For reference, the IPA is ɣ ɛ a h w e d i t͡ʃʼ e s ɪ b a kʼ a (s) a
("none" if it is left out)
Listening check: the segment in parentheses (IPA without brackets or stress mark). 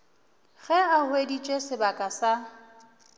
s